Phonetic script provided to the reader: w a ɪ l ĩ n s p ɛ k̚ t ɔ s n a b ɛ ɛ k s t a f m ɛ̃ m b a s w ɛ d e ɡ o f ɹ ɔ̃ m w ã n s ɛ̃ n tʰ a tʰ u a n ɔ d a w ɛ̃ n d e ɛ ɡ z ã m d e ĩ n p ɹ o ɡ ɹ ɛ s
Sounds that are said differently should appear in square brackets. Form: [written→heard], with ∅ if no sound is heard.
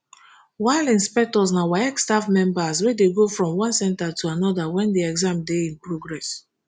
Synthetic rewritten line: w a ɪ l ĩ n s p ɛ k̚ t ɔ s n a [b→w] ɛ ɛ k s t a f m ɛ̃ m b a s w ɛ d e ɡ o f ɹ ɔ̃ m w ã n s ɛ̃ n [tʰ→t] a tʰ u a n ɔ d a w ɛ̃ n d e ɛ ɡ z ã m d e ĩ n p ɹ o ɡ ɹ ɛ s